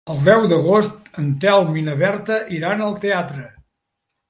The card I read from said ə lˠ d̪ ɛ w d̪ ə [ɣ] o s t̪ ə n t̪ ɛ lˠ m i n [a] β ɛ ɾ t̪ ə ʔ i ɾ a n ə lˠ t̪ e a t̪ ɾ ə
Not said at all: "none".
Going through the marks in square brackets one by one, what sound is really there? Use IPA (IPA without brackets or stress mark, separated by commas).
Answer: ɣ, ə